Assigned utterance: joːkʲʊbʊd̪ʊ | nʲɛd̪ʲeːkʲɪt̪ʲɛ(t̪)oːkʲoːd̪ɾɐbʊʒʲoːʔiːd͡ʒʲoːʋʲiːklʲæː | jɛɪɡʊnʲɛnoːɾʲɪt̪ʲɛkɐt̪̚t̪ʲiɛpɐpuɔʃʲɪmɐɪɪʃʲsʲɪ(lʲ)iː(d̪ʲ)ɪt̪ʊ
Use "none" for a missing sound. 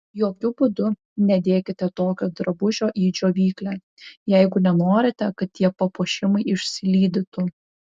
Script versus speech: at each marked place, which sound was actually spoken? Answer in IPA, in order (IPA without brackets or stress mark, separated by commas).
t̪, lʲ, d̪ʲ